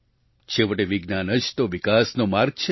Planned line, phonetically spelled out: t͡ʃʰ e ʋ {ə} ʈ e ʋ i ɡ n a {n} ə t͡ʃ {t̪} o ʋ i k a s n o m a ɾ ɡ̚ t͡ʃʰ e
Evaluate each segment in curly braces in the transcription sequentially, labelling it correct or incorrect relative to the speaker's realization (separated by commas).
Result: correct, correct, correct